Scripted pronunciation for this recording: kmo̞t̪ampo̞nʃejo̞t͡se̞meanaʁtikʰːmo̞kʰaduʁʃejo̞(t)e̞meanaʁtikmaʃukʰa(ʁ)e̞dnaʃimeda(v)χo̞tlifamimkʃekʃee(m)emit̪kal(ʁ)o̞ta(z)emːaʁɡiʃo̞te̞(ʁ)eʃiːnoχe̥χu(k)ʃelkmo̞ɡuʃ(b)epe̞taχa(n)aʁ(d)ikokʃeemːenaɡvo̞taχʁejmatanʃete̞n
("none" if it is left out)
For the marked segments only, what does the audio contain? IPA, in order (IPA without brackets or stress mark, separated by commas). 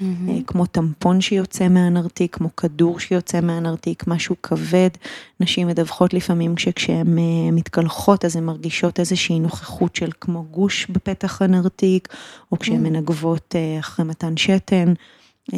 t͡s, v, v, m, χ, z, z, t, b, n, t